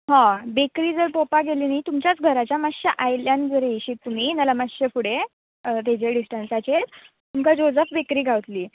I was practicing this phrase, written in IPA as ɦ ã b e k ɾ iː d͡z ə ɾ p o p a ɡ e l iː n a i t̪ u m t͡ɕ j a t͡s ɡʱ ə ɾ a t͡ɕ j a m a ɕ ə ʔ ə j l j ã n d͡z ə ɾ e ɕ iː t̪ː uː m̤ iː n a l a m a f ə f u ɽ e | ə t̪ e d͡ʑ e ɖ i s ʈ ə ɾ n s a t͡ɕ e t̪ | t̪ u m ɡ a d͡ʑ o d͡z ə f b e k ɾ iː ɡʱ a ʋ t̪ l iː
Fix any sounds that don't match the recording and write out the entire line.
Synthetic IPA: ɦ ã b e k ɾ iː d͡z ə ɾ p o p a ɡ e l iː n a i t̪ u m t͡ɕ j a t͡s ɡʱ ə ɾ a t͡ɕ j a m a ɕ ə ʔ a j l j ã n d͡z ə ɾ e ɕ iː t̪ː u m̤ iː n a l a m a ɕ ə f u ɽ e | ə t̪ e d͡ʑ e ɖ i s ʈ ə n s a t͡ɕ e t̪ | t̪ u m k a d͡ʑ o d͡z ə f b e k ɾ iː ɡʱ a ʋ t̪ l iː